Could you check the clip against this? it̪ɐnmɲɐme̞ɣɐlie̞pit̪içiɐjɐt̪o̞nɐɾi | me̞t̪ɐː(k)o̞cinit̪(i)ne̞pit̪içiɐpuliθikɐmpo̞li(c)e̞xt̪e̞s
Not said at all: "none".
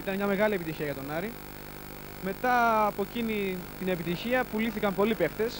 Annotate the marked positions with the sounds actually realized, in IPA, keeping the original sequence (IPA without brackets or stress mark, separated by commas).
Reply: p, i, p